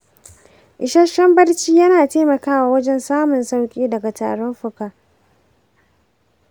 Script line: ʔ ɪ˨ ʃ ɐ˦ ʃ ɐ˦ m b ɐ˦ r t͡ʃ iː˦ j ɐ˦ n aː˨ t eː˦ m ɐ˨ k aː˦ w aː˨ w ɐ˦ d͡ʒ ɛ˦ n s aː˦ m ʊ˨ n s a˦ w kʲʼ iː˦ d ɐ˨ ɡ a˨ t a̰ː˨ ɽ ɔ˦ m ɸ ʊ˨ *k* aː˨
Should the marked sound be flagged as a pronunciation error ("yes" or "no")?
no